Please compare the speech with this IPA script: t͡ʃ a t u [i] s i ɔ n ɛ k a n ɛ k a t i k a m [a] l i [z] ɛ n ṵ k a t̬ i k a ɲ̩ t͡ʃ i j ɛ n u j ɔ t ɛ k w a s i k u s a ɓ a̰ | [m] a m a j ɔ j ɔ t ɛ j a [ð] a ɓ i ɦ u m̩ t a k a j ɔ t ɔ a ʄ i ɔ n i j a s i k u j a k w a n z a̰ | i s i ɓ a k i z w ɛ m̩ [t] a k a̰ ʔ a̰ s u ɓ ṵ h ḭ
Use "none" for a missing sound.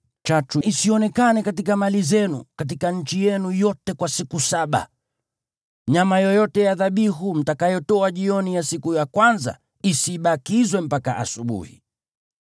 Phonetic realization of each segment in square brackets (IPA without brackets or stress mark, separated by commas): i, a, z, ɲ, ð, p